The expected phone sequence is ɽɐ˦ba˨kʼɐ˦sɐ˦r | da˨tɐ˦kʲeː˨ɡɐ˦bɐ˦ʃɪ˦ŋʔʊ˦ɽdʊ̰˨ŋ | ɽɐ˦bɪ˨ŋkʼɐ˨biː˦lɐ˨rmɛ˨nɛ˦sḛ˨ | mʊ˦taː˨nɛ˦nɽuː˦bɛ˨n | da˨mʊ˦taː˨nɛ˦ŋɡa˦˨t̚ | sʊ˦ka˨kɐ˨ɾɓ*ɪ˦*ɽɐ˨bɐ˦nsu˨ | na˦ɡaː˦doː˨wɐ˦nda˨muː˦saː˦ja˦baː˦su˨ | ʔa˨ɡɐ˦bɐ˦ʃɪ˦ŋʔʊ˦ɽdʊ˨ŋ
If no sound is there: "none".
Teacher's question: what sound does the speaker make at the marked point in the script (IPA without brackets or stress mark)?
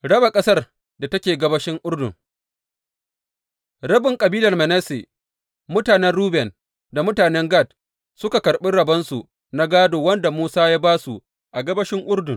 ɪ˦